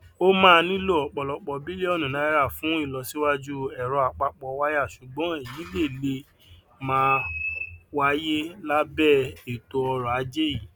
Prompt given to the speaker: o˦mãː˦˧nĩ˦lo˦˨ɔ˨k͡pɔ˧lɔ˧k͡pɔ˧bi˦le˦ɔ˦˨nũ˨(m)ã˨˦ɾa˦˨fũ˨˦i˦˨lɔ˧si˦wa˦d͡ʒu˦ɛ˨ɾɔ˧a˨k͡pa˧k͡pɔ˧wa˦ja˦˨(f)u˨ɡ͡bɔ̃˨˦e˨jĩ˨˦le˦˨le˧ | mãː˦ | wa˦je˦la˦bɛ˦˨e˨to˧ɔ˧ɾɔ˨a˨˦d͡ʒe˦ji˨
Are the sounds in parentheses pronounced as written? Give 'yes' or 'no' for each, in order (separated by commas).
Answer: no, no